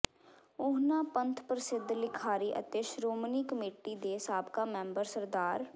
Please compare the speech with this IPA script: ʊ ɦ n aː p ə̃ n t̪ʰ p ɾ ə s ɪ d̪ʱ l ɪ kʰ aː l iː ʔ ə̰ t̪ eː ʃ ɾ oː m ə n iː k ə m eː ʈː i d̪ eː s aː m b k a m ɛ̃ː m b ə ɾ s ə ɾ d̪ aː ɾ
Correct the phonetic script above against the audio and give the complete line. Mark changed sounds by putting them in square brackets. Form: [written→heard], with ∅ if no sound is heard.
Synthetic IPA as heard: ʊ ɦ n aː p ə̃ n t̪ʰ p ɾ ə s ɪ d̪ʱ l ɪ kʰ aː [l→ɾ] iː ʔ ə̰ t̪ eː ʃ ɾ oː m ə n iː k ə m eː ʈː i d̪ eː s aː [m→∅] b k a m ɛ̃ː m b ə ɾ s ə ɾ d̪ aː ɾ